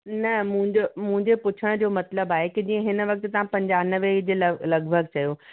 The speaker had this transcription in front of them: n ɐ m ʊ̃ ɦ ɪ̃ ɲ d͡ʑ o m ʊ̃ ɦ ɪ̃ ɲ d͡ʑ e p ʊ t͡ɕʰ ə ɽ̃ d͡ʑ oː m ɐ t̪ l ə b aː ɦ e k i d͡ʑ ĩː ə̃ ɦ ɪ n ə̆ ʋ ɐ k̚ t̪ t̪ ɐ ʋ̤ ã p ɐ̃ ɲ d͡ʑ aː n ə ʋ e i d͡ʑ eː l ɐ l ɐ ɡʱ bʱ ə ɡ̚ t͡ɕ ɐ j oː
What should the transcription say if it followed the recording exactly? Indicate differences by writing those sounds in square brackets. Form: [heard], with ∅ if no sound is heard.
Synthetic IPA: n ɐ m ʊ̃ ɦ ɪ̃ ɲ d͡ʑ o m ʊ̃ ɦ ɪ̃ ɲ d͡ʑ e p ʊ t͡ɕʰ ə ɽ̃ d͡ʑ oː m ɐ t̪ l ə b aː ɦ e k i d͡ʑ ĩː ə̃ ɦ ɪ n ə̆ ʋ ɐ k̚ t̪ t̪ ɐ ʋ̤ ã p ɐ̃ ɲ d͡ʑ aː n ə ʋ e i d͡ʑ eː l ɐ l ɐ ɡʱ bʱ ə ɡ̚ t͡ɕ ɐ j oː